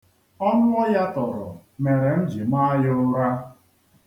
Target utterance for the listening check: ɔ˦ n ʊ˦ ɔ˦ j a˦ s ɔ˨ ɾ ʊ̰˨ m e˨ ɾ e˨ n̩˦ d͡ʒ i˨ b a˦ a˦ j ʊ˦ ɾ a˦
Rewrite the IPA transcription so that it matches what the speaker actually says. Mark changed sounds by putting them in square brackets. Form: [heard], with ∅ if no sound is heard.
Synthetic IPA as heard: ɔ˦ n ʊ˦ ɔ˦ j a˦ [t] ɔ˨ ɾ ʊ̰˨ m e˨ ɾ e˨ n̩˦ d͡ʒ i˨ [m] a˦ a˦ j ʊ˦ ɾ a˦

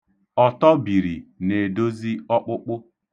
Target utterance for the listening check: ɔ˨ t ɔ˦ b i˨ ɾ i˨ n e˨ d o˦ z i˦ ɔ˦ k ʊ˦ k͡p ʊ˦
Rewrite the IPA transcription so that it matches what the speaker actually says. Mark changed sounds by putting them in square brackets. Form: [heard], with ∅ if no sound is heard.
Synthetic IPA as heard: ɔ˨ t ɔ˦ b i˨ ɾ i˨ n e˨ d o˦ z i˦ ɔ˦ [k͡p] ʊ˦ k͡p ʊ˦

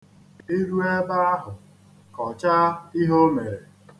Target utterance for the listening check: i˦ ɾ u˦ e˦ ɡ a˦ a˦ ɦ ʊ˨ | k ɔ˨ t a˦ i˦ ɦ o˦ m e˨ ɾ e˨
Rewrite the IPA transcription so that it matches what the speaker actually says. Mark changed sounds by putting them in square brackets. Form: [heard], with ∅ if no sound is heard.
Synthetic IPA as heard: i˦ ɾ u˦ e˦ [b] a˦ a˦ ɦ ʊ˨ | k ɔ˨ [t͡ʃ] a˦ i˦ ɦ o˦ m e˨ ɾ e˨

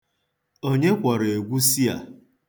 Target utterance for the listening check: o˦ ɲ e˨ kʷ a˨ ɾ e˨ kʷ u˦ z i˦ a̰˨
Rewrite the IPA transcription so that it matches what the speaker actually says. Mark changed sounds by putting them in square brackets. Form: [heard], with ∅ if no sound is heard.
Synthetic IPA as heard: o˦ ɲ [e˦] kʷ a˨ ɾ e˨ [ɡʷ] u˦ [s] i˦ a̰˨

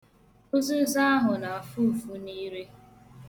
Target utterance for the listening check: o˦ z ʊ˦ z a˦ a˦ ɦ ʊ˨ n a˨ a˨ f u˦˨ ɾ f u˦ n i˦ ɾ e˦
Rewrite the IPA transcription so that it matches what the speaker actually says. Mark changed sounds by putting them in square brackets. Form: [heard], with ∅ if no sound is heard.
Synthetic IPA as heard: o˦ z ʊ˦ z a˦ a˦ ɦ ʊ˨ n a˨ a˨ f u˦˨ [∅] f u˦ n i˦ ɾ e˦

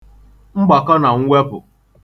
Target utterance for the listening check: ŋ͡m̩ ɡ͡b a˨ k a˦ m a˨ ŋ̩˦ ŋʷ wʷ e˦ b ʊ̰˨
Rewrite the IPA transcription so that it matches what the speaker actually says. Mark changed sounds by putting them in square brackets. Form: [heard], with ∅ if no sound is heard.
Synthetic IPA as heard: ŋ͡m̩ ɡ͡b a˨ k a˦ [n] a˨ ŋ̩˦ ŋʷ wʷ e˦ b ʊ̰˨

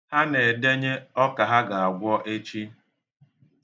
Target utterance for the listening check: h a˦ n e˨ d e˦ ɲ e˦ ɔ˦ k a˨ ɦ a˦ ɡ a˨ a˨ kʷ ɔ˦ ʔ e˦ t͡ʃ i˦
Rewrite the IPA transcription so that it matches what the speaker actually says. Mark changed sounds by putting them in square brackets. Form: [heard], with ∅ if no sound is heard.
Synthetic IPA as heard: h a˦ n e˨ d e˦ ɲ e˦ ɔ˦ k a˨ ɦ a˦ ɡ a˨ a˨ [ɡʷ] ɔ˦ ʔ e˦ t͡ʃ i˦

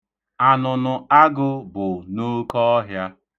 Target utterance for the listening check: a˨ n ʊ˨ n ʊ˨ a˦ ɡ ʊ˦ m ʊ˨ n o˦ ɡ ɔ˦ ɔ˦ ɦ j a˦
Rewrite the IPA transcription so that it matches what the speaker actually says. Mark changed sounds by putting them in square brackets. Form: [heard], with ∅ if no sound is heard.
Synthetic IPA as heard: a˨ n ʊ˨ n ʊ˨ a˦ ɡ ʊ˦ [b] ʊ˨ n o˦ [k] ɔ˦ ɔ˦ ɦ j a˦

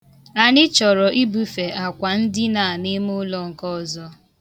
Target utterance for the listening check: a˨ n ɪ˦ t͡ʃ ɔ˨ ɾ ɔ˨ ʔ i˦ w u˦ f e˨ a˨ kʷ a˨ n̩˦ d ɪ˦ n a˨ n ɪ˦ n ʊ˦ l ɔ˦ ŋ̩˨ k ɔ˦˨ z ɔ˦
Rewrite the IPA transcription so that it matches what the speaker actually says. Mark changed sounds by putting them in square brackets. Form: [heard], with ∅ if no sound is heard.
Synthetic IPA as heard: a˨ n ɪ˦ t͡ʃ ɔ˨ ɾ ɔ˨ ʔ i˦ [b] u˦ f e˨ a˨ kʷ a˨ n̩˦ d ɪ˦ n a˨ n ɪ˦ [m] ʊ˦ l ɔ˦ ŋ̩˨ k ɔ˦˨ z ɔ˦

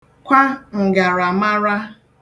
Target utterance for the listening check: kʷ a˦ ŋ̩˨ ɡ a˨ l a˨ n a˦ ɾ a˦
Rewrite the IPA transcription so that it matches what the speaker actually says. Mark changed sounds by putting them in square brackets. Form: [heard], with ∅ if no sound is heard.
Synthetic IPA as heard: kʷ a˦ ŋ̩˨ ɡ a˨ [ɾ] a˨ [m] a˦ ɾ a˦

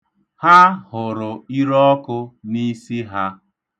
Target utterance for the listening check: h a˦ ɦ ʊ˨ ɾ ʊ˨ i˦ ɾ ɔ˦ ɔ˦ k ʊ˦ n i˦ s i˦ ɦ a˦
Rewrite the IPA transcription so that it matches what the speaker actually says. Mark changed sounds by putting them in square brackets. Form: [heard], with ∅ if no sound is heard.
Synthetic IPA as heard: h a˦ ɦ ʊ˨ ɾ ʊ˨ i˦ ɾ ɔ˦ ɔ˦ k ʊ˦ n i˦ s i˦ ɦ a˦

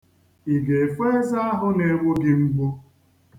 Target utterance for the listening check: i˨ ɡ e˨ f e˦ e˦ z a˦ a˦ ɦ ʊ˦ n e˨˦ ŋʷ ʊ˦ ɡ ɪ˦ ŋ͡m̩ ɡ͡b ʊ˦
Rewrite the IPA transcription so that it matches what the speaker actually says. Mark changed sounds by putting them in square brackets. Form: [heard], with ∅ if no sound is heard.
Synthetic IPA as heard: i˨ ɡ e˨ f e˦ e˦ z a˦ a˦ ɦ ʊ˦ n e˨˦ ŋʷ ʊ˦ ɡ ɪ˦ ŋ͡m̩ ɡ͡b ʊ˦

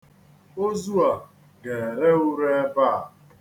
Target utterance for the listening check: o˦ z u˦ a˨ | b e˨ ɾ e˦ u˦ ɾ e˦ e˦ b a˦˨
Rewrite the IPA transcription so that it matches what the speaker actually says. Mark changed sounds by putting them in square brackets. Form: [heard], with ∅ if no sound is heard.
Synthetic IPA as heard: o˦ z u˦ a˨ | [ɡ] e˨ ɾ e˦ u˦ ɾ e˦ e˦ b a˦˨

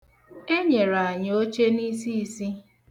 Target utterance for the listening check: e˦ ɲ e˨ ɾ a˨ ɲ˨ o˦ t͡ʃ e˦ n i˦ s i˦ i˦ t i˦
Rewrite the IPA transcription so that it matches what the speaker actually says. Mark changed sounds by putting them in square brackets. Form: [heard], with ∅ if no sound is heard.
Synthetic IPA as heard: e˦ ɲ e˨ ɾ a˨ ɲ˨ o˦ t͡ʃ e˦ n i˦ s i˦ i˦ [s] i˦

